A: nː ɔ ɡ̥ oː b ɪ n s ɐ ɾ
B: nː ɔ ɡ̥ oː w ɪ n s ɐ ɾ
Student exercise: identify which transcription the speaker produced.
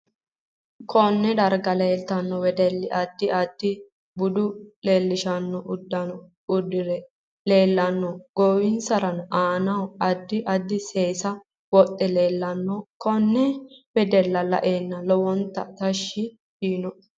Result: B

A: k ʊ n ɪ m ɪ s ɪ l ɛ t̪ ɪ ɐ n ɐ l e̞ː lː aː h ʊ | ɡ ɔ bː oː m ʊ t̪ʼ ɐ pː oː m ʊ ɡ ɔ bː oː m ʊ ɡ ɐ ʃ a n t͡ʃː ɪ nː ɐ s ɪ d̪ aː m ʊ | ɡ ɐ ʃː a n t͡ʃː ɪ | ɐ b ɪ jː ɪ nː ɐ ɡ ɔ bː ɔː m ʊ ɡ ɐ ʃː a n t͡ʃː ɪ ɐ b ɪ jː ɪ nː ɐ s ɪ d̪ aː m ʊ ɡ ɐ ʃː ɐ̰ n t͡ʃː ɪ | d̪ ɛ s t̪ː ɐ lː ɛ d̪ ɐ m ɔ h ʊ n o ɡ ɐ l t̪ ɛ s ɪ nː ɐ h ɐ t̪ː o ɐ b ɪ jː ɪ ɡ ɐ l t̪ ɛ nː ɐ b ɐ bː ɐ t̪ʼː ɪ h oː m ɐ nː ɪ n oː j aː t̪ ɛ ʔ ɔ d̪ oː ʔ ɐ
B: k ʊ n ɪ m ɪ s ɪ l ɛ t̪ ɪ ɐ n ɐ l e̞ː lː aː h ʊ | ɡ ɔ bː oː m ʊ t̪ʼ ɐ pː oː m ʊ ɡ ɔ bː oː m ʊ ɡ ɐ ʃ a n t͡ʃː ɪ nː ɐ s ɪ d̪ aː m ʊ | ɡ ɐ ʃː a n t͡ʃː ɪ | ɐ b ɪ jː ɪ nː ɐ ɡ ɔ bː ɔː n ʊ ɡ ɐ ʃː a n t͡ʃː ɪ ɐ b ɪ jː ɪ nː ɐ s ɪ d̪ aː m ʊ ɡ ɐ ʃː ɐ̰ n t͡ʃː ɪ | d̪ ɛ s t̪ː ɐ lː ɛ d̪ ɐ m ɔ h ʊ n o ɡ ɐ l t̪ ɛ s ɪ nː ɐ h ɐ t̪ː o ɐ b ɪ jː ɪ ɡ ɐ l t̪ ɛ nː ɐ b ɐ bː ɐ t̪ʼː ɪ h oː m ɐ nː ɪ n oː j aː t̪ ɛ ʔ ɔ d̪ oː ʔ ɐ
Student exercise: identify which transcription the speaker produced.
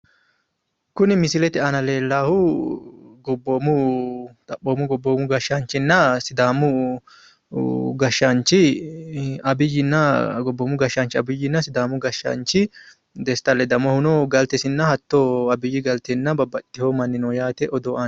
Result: A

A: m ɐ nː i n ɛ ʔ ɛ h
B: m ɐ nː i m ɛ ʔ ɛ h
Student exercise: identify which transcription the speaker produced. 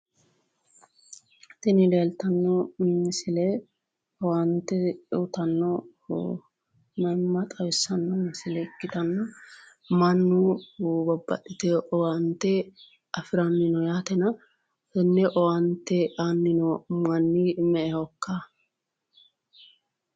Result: B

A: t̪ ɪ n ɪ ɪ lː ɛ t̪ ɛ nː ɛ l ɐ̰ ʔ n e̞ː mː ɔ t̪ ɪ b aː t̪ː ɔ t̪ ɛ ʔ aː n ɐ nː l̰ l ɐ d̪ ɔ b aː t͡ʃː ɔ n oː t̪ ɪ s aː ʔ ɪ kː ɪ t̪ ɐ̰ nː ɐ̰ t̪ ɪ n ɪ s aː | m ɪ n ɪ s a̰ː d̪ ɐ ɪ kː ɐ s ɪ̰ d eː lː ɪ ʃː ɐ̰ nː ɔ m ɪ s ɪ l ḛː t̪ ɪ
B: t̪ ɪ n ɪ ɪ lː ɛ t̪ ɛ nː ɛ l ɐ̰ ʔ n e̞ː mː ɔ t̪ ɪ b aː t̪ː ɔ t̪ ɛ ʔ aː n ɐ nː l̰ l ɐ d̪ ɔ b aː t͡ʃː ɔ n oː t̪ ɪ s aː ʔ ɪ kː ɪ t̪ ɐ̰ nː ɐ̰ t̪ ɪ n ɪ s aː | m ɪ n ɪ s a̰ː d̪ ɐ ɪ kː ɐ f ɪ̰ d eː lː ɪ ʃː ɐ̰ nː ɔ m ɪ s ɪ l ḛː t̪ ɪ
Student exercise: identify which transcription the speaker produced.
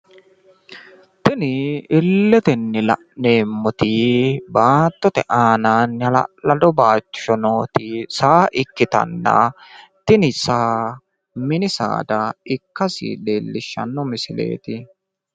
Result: A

